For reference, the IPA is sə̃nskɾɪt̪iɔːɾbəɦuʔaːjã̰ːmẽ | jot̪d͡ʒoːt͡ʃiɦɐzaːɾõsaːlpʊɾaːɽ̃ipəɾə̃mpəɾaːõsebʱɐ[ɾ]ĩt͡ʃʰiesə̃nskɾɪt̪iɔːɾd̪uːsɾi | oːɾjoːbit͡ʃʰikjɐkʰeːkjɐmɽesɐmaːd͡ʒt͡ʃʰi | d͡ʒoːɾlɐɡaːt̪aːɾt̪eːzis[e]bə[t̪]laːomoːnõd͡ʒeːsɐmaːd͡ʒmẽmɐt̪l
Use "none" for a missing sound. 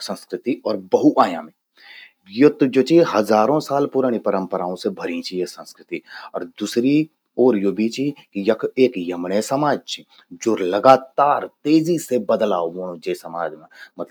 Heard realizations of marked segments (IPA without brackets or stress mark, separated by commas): ɾ, e, d̪